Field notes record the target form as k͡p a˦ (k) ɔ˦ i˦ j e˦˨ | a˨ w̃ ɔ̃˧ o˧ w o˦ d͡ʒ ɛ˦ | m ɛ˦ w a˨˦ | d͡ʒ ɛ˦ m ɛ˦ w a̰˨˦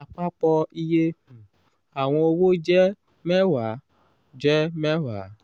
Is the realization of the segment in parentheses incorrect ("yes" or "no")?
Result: yes